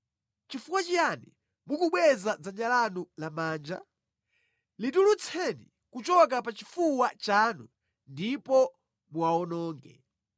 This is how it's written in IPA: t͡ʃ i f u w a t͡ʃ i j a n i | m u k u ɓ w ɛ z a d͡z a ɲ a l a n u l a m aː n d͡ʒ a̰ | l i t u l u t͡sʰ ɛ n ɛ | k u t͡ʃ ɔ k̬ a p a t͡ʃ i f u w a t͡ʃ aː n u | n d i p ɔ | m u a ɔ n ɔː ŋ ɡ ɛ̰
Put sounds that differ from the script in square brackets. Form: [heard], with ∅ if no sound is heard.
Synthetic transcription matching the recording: t͡ʃ i f u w a t͡ʃ i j a n i | m u k u ɓ w ɛ z a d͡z a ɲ a l a n u l a m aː n d͡ʒ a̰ | l i t u l u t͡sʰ ɛ n [i] | k u t͡ʃ ɔ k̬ a p a t͡ʃ i f u w a t͡ʃ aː n u | n d i p ɔ | m u a ɔ n ɔː ŋ ɡ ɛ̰